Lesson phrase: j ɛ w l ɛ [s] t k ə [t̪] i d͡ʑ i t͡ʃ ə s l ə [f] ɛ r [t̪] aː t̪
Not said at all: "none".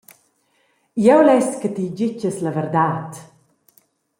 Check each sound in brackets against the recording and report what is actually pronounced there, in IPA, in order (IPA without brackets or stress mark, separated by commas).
s, t̪, v, d̪